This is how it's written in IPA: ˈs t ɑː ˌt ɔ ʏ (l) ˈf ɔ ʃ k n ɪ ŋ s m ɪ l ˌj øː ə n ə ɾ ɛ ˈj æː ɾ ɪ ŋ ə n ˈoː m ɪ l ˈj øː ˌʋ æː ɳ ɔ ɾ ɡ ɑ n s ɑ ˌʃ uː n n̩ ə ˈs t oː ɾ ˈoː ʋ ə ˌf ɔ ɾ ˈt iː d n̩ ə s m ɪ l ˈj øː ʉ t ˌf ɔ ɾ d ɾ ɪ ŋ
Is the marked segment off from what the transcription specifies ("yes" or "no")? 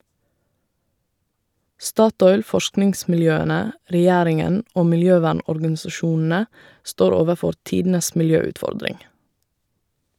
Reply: no